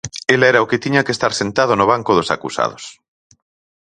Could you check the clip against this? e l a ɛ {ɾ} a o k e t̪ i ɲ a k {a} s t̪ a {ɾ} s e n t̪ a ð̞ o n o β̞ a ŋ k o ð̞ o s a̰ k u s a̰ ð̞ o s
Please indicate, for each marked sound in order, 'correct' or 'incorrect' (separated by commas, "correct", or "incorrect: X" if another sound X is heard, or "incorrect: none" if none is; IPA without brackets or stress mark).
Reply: correct, incorrect: e, correct